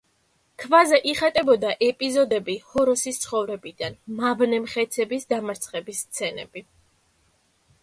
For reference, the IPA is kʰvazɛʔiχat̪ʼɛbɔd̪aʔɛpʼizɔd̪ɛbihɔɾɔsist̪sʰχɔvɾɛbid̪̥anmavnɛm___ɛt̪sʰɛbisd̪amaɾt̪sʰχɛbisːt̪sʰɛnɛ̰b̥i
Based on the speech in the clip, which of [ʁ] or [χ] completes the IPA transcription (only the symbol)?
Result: χ